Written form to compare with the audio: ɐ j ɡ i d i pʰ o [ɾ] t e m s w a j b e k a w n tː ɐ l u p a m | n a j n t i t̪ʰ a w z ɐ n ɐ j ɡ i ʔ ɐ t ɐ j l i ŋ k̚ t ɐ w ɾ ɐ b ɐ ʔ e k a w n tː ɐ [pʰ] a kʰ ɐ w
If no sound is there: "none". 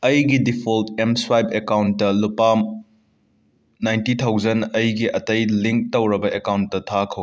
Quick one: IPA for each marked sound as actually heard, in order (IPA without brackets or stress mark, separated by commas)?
l, tʰ